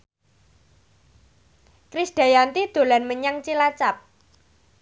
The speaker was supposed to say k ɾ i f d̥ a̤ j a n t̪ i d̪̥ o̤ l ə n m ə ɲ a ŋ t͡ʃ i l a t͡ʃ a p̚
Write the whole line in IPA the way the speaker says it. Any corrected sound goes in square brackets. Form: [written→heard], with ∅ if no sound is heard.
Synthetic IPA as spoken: k ɾ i [f→s] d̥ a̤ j a n t̪ i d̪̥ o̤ l [ə→a] n m ə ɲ a ŋ t͡ʃ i l a t͡ʃ a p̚